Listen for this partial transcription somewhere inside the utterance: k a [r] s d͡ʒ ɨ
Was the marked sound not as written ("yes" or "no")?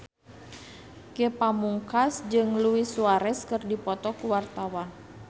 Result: yes